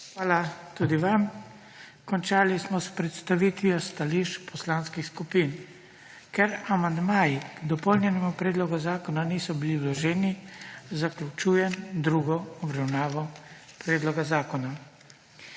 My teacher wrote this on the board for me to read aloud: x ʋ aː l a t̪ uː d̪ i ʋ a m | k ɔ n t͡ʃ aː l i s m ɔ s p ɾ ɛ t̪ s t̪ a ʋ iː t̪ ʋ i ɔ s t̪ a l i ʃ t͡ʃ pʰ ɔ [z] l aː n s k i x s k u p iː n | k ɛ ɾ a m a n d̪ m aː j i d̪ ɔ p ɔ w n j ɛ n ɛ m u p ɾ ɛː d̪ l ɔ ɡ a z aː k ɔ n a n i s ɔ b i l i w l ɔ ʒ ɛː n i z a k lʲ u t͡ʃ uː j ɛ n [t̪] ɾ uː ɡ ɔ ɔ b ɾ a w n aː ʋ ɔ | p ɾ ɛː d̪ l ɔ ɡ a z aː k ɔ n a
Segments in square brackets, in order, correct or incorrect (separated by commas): incorrect, incorrect